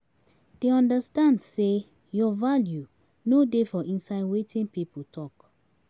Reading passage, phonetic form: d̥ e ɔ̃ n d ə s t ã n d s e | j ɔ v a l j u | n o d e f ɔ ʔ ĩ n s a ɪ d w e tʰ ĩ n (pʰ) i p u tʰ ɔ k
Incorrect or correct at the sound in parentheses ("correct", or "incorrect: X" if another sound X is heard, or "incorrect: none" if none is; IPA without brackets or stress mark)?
incorrect: p